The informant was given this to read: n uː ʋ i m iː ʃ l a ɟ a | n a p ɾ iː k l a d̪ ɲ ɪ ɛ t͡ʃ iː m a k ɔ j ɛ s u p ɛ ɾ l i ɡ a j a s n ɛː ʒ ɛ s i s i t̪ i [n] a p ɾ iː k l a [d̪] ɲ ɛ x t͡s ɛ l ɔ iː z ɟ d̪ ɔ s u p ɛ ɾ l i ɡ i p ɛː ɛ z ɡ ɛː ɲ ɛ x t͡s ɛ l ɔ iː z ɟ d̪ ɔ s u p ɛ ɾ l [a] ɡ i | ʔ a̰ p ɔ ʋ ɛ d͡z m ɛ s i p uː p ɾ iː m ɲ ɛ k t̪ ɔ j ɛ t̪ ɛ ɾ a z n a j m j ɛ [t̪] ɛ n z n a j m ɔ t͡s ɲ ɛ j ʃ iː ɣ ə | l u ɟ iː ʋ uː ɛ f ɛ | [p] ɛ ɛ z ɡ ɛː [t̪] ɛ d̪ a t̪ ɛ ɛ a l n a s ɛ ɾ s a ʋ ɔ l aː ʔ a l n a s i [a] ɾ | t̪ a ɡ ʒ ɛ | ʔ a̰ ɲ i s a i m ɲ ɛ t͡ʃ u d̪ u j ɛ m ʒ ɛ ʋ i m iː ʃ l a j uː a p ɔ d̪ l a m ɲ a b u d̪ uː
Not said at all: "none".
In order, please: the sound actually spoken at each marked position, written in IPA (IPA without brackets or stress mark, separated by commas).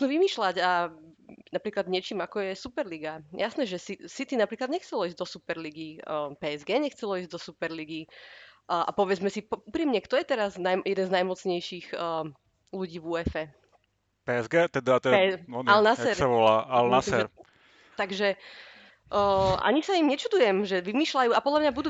n, d̪, i, d̪, p, t̪, ɛ